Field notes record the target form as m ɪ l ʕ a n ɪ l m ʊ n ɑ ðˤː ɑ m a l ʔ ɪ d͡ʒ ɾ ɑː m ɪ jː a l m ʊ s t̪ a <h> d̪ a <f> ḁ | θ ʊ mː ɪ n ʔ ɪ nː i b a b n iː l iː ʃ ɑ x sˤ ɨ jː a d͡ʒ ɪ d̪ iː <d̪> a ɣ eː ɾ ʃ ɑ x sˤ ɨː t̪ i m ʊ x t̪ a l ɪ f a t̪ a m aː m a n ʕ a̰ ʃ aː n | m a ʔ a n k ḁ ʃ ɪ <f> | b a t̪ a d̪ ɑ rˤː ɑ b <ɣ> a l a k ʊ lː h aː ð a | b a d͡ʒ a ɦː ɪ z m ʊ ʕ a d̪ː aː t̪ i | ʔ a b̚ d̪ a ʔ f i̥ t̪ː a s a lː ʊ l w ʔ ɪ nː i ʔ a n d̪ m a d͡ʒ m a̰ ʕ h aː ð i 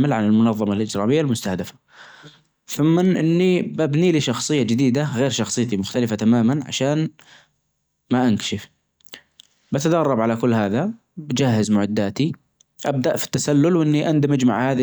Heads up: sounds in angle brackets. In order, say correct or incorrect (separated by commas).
correct, correct, correct, correct, incorrect